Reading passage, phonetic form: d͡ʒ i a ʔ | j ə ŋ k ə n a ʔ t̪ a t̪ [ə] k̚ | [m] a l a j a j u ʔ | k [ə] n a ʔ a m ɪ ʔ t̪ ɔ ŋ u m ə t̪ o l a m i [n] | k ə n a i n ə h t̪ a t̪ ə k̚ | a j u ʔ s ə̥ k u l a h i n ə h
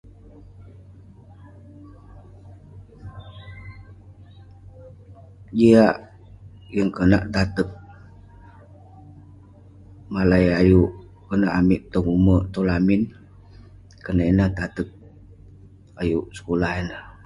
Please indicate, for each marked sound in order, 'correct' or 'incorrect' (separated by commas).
correct, correct, correct, correct